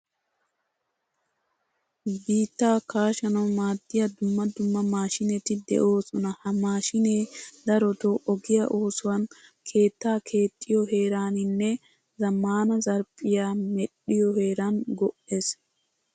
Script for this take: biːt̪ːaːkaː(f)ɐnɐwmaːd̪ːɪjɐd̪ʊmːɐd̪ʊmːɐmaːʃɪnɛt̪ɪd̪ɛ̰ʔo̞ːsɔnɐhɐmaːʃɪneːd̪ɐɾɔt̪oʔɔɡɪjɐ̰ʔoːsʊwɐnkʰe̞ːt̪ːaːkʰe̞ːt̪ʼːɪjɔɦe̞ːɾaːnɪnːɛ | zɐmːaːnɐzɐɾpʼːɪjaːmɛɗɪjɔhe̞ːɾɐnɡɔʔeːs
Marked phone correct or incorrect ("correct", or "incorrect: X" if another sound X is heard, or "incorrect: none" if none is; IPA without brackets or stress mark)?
incorrect: ʃ